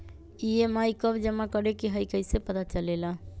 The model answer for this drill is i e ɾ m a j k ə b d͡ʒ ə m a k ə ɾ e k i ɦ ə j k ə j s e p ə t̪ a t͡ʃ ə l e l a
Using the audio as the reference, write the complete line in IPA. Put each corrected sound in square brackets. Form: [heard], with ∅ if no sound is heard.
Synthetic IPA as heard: i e [∅] m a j k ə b d͡ʒ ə m a k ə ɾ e k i ɦ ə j k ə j s e p ə t̪ a t͡ʃ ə l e l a